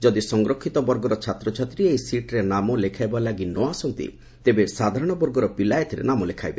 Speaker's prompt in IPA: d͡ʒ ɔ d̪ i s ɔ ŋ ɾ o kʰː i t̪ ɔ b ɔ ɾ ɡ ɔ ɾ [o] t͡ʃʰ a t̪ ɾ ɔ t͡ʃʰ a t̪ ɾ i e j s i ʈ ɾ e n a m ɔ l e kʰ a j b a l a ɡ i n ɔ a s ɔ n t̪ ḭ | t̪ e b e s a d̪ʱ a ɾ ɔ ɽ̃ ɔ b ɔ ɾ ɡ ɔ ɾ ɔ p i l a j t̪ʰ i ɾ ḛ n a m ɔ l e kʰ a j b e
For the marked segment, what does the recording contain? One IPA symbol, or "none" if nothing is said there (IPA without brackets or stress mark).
ɔ